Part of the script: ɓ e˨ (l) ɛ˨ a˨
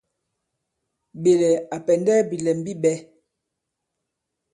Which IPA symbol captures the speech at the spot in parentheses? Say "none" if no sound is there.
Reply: l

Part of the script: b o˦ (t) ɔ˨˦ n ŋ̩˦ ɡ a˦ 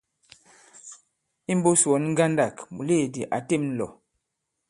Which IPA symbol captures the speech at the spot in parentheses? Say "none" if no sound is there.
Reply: s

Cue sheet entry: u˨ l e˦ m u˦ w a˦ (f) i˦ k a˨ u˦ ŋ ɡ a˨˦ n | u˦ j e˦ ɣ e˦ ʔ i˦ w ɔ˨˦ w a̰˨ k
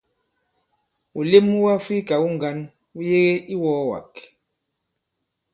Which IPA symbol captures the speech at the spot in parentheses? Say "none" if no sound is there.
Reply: f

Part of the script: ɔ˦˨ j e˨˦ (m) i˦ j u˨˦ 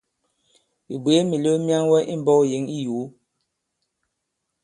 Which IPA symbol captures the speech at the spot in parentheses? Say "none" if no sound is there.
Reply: ŋ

